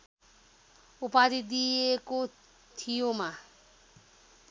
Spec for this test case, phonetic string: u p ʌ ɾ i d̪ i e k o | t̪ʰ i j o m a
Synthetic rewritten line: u p a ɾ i d̪ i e k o | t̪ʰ i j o m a